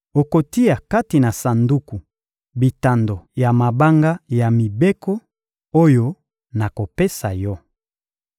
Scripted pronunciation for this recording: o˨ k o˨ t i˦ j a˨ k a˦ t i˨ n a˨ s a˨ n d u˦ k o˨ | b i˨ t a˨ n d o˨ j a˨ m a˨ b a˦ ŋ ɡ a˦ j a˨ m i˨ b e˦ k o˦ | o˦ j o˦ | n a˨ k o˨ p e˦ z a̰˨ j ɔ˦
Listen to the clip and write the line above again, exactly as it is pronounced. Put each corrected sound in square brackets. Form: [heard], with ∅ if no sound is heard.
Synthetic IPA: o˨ k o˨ t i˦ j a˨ k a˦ t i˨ n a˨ s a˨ n d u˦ k [u˨] | b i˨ t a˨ n d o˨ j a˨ m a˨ b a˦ ŋ ɡ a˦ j a˨ m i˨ b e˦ k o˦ | o˦ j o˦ | n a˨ k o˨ p e˦ [s] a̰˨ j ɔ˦